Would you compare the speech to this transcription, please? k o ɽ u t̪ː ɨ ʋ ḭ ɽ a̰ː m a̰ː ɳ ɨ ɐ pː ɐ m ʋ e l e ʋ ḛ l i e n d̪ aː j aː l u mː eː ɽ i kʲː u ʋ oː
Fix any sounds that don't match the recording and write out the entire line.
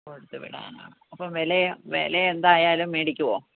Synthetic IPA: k o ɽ u t̪ː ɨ ʋ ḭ ɽ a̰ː n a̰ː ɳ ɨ ɐ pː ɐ m ʋ e l e ʋ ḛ l e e n d̪ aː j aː l u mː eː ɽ i kʲː u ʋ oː